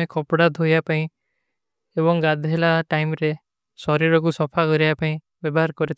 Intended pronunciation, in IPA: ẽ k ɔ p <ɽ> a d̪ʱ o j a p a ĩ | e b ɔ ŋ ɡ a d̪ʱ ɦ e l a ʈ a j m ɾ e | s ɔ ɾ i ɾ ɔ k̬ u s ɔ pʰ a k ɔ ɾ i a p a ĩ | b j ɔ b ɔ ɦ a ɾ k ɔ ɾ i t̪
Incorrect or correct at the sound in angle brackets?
correct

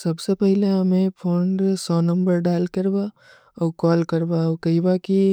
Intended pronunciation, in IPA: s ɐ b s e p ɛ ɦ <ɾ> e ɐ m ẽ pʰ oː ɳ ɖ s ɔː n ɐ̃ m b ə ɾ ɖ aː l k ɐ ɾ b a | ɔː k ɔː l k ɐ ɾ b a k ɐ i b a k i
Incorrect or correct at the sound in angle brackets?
incorrect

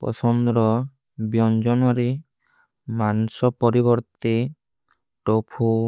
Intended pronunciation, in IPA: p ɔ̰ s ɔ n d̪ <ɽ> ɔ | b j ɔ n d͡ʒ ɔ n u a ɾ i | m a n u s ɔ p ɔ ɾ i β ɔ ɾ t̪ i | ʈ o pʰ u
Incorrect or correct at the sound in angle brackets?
incorrect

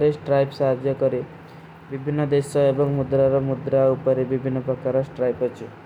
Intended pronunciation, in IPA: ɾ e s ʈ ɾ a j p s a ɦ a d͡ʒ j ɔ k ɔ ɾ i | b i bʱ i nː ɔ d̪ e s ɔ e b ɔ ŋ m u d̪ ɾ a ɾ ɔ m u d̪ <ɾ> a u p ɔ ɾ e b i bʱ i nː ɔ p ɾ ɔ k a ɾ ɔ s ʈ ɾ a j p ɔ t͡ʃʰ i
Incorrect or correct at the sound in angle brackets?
correct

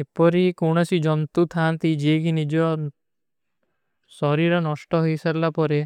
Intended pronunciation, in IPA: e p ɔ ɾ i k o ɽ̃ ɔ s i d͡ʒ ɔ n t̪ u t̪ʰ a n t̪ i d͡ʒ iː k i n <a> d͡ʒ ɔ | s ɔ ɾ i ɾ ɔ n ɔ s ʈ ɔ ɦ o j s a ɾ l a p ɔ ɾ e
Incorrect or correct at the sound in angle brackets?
incorrect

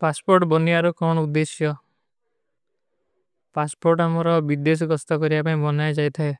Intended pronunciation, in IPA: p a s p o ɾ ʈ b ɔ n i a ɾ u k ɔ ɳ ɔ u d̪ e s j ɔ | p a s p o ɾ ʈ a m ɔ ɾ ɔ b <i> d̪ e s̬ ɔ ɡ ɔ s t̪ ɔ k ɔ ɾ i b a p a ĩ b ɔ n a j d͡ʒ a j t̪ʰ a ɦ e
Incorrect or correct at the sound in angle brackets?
correct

